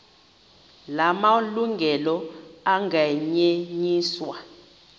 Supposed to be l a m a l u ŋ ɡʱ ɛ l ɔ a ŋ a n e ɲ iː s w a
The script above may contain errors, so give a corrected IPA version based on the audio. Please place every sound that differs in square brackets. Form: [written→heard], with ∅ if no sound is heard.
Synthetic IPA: l a m a l u ŋ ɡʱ ɛ l ɔ a ŋ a [n→ɲ] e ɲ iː s w a